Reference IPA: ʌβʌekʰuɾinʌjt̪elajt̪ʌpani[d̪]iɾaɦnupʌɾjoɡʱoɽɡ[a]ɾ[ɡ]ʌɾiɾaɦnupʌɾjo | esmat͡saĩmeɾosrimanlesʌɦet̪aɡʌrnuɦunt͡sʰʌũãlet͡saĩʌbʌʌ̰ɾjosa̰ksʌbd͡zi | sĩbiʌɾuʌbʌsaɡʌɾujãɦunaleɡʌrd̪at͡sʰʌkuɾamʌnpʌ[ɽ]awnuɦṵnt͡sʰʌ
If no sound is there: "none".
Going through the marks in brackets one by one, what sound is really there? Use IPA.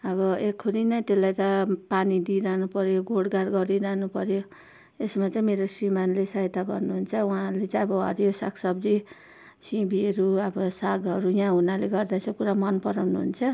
d̪, a, ɡ, ɾ

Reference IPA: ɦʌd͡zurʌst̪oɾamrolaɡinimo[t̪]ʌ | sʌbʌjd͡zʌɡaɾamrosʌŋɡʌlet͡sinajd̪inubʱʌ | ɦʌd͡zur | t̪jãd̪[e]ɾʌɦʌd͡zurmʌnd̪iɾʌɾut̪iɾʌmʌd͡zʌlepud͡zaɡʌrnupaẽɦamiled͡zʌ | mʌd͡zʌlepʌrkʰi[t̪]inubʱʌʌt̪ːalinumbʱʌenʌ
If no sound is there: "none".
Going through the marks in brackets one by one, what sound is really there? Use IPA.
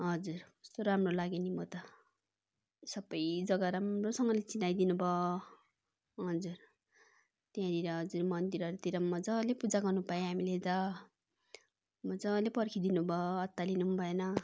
t̪, i, d̪

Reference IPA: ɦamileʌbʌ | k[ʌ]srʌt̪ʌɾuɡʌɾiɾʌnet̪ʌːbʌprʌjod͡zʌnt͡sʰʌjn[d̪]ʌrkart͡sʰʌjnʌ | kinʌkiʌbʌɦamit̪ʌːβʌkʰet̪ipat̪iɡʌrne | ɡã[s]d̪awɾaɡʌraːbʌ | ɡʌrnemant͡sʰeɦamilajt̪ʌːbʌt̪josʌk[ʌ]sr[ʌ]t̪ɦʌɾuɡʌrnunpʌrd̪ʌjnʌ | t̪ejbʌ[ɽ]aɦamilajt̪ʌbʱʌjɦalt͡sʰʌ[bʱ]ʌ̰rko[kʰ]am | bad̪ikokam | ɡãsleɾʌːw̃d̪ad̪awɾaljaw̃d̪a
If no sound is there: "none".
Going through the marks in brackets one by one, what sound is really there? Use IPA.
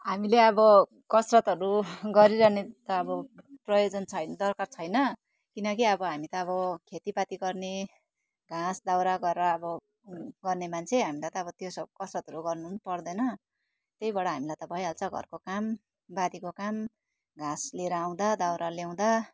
ʌ, d̪, s, ʌ, ʌ, ɽ, ɡʱ, k

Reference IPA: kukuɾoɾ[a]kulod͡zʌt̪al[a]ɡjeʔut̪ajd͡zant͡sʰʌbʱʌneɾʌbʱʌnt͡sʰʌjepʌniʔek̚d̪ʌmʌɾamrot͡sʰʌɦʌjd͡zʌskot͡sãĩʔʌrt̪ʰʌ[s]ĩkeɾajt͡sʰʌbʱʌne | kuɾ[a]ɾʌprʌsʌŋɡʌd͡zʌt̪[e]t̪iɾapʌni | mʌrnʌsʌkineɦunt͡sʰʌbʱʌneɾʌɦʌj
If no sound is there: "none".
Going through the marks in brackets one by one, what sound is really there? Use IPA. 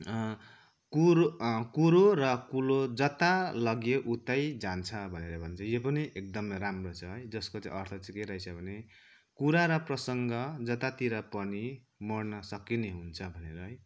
ʌ, ʌ, t͡s, a, a

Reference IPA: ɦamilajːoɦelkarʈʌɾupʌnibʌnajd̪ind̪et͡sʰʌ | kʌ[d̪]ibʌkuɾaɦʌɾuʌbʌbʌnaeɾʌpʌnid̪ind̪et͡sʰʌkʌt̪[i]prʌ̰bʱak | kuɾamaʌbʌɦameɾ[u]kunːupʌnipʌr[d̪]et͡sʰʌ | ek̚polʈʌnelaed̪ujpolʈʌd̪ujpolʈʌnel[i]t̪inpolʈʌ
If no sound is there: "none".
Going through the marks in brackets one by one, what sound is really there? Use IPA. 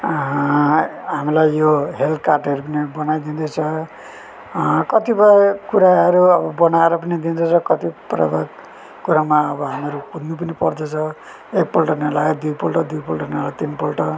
t̪, i, u, d̪, a

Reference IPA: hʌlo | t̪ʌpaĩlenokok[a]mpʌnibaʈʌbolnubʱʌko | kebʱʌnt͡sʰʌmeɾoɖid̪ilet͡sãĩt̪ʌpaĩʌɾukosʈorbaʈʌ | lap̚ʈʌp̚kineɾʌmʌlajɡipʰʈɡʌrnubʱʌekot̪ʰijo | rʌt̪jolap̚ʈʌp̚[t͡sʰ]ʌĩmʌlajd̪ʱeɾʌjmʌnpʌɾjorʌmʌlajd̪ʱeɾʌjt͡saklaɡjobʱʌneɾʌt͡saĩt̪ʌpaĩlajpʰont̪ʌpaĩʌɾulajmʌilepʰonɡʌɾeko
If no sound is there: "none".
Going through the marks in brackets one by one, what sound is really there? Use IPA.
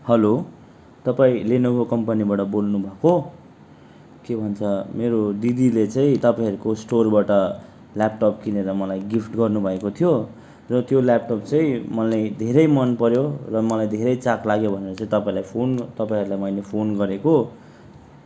ʌ, t͡s

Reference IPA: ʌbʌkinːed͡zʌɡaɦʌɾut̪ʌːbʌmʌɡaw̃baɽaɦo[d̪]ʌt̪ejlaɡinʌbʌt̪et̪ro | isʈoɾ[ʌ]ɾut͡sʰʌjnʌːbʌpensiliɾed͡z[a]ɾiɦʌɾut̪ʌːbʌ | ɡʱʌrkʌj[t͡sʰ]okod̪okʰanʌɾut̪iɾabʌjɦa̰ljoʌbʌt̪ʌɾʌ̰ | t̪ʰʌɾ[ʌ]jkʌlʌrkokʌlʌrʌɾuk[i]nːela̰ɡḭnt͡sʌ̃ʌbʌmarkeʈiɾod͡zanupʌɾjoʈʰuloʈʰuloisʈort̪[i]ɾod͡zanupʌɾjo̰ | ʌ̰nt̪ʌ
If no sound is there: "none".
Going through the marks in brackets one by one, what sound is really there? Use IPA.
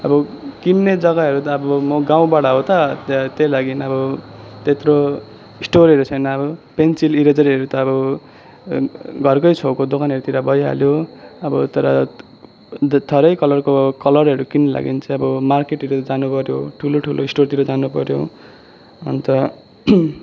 t̪, ʌ, ʌ, t͡sʰ, ʌ, i, i

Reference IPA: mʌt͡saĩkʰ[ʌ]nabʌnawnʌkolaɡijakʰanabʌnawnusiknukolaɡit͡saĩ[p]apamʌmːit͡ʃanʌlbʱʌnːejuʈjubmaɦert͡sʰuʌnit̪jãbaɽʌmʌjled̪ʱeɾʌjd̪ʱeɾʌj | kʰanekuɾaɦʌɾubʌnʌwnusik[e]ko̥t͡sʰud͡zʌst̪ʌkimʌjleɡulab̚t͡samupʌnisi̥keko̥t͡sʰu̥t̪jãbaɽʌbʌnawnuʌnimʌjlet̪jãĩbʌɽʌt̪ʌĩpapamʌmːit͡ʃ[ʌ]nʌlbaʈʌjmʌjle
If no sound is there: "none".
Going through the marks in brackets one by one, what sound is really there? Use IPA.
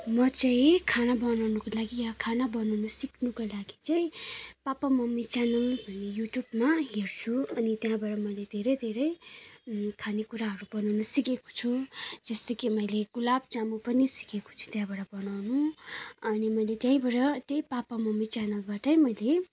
a, p, e, a

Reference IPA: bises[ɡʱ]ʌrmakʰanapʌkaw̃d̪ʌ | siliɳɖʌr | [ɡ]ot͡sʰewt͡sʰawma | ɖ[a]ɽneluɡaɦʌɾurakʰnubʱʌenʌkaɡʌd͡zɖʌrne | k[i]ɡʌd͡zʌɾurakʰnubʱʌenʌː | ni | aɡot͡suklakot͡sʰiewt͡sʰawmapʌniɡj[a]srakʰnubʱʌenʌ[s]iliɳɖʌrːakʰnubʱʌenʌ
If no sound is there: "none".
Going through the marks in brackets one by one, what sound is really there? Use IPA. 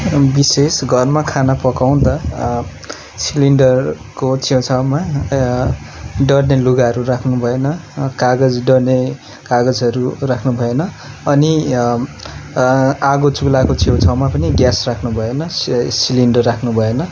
ɡʱ, k, ʌ, a, a, s

